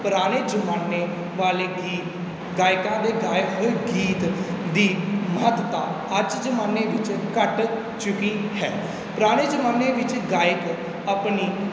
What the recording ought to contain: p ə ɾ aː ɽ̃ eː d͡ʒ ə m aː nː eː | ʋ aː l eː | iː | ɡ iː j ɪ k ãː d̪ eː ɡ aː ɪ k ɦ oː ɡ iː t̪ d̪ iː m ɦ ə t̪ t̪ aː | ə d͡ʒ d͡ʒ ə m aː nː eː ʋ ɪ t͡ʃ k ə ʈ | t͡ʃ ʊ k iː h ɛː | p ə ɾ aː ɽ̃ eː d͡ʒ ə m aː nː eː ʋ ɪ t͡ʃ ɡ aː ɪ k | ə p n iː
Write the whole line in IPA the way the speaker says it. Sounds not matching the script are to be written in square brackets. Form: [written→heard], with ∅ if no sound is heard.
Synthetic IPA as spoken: p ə ɾ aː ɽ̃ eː d͡ʒ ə m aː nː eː | ʋ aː l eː | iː | ɡ [iː→aː] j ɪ k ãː d̪ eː ɡ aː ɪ k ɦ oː ɡ iː t̪ d̪ iː m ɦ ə t̪ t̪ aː | ə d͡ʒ d͡ʒ ə m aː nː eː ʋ ɪ t͡ʃ k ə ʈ | t͡ʃ ʊ k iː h ɛː | p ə ɾ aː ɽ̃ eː d͡ʒ ə m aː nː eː ʋ ɪ t͡ʃ ɡ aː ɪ k | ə p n iː